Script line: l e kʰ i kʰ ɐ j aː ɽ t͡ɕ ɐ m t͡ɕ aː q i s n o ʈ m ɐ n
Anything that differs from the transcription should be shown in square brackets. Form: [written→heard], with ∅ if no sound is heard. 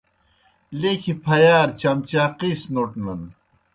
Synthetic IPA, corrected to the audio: l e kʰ i [kʰ→pʰ] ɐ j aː [ɽ→ɾ] t͡ɕ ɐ m t͡ɕ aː q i s n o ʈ [m→n] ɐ n